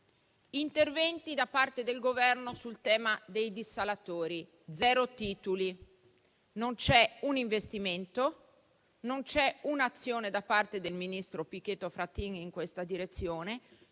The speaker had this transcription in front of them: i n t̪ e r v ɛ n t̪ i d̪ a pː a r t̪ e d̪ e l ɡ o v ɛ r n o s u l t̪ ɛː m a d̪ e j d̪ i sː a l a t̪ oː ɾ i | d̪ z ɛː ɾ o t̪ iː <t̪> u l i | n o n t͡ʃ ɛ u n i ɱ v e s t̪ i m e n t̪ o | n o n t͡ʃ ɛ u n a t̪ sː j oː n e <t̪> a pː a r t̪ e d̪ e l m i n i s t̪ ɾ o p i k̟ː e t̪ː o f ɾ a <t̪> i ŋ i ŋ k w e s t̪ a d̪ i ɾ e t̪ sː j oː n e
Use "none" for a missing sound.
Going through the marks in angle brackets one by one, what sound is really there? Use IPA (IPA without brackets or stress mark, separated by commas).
t̪, d̪, t̪